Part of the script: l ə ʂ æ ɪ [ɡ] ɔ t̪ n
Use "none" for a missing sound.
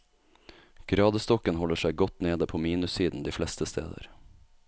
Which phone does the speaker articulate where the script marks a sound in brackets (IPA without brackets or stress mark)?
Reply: ɡ